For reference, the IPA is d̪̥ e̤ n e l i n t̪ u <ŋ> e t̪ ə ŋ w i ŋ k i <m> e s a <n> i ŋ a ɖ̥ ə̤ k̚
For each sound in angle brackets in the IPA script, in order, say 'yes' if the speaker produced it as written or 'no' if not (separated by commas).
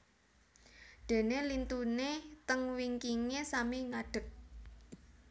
no, no, no